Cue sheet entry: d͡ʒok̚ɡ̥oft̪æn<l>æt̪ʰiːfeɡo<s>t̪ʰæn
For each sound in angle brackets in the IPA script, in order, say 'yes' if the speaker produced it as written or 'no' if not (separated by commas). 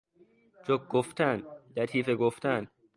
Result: yes, no